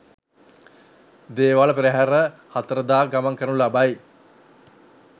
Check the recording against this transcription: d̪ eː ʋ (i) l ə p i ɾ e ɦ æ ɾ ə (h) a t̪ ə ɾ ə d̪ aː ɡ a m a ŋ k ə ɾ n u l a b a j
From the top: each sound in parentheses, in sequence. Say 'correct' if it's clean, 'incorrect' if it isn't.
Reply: incorrect, correct

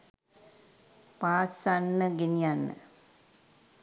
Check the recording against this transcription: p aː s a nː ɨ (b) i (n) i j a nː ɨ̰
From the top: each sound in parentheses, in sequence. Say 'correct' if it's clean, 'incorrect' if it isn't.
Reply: incorrect, correct

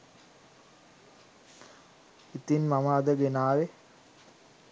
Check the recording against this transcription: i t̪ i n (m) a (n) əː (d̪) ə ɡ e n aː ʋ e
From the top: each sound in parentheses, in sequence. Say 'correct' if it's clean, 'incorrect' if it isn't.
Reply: correct, incorrect, correct

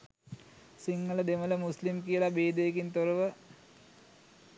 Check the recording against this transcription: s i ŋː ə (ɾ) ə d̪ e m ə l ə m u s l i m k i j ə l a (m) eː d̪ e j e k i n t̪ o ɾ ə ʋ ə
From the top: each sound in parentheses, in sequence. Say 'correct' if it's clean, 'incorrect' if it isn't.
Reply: incorrect, incorrect

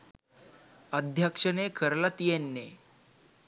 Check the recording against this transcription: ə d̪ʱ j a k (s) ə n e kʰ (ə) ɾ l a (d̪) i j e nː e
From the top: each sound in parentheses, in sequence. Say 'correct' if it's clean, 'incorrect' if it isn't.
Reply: incorrect, correct, incorrect

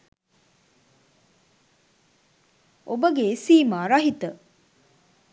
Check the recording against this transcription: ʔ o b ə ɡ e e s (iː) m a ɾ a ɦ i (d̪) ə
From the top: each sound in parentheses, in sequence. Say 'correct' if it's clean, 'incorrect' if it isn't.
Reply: correct, incorrect

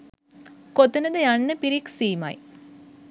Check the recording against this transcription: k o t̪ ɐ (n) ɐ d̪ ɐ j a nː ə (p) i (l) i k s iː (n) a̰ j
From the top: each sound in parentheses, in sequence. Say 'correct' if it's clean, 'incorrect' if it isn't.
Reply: correct, correct, incorrect, incorrect

